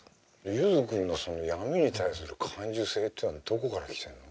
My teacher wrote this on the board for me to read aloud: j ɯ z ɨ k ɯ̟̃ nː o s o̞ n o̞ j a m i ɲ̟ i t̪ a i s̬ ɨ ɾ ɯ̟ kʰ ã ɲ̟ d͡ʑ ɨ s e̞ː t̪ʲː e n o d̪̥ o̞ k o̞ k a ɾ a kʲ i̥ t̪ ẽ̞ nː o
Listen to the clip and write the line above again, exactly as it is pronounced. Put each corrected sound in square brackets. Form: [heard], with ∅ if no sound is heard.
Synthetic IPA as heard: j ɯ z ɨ k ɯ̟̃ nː o s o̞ n o̞ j a m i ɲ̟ i t̪ a i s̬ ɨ ɾ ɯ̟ kʰ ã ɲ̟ d͡ʑ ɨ s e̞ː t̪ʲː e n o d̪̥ o̞ k o̞ k a ɾ a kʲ i̥ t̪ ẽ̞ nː o